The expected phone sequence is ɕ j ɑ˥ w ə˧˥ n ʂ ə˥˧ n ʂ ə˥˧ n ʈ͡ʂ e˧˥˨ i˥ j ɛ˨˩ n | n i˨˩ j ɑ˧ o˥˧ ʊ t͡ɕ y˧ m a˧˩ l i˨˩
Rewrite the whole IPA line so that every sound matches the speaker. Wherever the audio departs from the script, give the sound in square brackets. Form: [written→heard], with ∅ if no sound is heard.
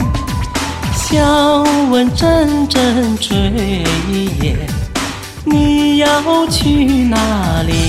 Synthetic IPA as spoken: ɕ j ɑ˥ w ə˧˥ n [ʂ→ʈ͡ʂ] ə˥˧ n [ʂ→ʈ͡ʂ] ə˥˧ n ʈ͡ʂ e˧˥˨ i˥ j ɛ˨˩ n | n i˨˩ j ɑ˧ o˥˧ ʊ [t͡ɕ→t͡ɕʰ] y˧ [m→n] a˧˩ l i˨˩